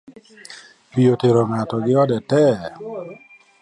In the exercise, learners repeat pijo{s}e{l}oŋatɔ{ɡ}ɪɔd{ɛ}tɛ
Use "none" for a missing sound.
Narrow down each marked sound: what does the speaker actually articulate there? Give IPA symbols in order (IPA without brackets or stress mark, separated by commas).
t, ɾ, ɡ, ɛ